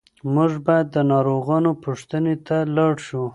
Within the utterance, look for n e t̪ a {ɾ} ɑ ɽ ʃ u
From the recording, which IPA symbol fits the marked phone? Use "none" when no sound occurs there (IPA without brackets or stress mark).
l